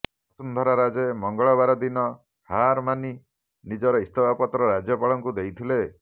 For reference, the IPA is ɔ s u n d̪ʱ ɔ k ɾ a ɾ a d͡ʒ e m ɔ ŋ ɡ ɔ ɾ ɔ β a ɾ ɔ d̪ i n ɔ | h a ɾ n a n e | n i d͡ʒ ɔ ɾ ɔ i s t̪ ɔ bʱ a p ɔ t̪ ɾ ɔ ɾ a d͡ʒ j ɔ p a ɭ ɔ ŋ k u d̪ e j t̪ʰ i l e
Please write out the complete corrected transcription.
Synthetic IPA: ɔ s u n d̪ʱ ɔ ɾ a ɾ a d͡ʒ e m ɔ ŋ ɡ ɔ ɭ ɔ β a ɾ ɔ d̪ i n ɔ | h a ɾ m a n i | n i d͡ʒ ɔ ɾ ɔ i s t̪ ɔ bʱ a p ɔ t̪ ɾ ɔ ɾ a d͡ʒ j ɔ p a ɭ ɔ ŋ k u d̪ e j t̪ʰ i l e